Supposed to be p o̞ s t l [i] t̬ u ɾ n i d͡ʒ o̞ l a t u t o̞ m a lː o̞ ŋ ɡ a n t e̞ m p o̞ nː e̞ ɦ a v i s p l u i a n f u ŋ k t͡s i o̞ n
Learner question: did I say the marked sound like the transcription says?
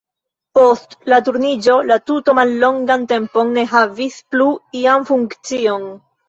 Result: no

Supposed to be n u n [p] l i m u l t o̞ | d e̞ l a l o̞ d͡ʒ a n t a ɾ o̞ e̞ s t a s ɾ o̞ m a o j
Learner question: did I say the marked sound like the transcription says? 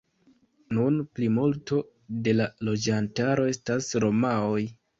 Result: yes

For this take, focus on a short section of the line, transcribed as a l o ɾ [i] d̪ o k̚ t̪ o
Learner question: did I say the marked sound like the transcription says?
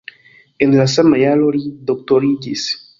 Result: yes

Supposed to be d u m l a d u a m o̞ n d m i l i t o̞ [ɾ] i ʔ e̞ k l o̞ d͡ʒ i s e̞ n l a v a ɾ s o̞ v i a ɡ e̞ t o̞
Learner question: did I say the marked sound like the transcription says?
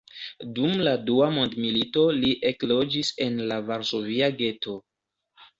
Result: no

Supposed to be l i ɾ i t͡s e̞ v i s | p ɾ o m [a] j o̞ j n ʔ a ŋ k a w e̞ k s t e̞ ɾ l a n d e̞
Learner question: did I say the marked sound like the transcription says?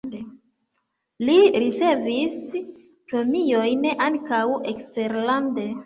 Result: no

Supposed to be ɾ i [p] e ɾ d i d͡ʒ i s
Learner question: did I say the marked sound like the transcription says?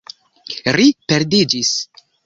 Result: yes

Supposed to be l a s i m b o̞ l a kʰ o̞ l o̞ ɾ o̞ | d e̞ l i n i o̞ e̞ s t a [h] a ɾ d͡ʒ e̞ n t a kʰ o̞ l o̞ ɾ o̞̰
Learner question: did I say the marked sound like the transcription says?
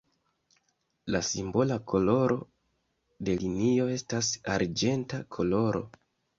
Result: no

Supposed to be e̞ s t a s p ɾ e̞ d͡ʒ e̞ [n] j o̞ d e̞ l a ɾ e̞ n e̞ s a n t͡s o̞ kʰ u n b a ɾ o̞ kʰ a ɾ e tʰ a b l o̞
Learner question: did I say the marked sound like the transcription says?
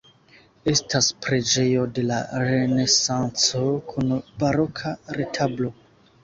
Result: no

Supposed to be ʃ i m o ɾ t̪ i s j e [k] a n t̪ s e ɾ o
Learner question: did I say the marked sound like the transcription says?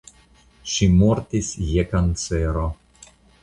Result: yes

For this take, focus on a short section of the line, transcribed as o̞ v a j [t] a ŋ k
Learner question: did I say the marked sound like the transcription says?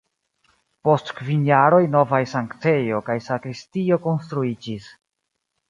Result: no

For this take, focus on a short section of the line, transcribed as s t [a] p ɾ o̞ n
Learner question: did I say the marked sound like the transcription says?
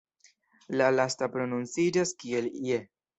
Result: yes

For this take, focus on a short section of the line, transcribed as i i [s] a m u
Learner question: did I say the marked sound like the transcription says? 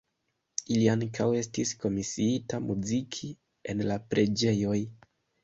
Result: no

